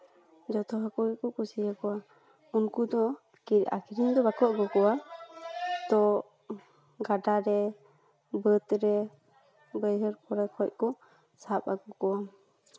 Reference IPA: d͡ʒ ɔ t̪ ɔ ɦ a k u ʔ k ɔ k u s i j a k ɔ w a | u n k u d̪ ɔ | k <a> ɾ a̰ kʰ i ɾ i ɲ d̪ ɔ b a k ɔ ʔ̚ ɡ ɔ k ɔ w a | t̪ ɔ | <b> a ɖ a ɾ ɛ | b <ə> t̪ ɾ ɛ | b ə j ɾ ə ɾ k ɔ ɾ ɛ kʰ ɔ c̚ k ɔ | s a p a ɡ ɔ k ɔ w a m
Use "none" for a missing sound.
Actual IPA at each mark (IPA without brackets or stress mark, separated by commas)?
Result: i, ɡ, ə